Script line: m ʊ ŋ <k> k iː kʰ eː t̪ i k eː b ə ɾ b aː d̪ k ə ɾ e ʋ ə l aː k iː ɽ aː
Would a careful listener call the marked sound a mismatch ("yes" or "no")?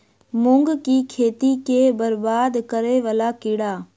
yes